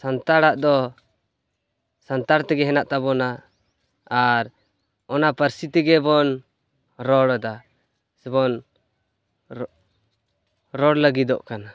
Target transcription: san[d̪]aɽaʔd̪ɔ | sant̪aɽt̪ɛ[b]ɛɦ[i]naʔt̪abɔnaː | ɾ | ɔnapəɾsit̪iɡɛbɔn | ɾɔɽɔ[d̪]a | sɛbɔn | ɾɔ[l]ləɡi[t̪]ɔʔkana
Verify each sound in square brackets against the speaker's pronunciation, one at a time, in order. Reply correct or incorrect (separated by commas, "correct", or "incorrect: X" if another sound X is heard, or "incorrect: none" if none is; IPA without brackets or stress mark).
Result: incorrect: t̪, incorrect: ɡ, incorrect: ɛ, correct, incorrect: ɽ, incorrect: d̪